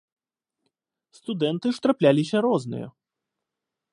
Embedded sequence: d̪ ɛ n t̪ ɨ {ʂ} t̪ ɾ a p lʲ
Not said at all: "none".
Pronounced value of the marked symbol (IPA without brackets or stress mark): ʂ